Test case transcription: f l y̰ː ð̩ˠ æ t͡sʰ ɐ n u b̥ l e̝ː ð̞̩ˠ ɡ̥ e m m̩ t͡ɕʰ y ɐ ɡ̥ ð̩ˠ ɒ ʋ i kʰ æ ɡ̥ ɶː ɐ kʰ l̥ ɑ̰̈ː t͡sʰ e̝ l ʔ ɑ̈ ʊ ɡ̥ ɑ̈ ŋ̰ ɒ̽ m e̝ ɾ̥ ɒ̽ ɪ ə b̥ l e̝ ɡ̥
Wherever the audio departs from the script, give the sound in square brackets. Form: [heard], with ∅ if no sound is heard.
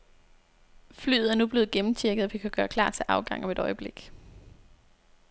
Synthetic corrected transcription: f l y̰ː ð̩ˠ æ [∅] ɐ n u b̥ l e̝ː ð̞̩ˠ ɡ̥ e m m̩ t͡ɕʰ [i] ɐ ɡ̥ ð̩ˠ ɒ ʋ i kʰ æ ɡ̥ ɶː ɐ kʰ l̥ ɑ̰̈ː t͡sʰ e̝ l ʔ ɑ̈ ʊ ɡ̥ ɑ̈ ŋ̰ ɒ̽ m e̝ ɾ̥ ɒ̽ ɪ ə b̥ l e̝ ɡ̥